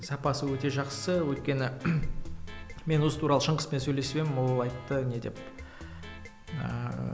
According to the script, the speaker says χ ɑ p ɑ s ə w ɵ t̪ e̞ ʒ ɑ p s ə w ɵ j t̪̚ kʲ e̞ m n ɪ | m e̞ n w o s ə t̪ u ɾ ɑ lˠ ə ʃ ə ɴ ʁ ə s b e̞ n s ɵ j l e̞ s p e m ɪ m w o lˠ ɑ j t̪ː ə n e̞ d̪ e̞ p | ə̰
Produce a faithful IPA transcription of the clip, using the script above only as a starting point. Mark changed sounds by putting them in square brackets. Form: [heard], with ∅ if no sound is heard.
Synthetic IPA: [s] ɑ p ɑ s ə w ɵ t̪ e̞ ʒ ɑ [q] s ə w ɵ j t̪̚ kʲ e̞ [∅] n ɪ | m e̞ n w o s ə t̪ u ɾ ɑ lˠ ə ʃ ə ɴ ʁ ə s [p] e̞ n s ɵ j l e̞ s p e m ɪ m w o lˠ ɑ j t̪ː ə n e̞ d̪ e̞ p | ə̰